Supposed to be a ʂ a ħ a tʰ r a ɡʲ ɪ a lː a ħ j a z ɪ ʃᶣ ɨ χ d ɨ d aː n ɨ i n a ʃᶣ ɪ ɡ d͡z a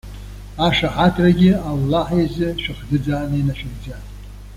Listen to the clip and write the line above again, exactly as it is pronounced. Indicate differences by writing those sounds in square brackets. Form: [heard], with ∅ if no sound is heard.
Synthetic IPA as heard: a ʂ a ħ a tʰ r a ɡʲ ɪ a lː a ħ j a z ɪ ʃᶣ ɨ χ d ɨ [d͡z] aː n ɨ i n a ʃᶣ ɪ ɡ d͡z a